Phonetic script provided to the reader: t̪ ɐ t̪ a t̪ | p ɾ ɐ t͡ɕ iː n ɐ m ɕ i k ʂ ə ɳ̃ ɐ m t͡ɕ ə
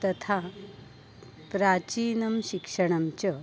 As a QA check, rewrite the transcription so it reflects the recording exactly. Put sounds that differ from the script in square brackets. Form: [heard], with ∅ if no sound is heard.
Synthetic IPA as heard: t̪ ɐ [t̪ʰ] a [∅] | p ɾ [a] t͡ɕ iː n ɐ m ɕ i k ʂ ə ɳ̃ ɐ m t͡ɕ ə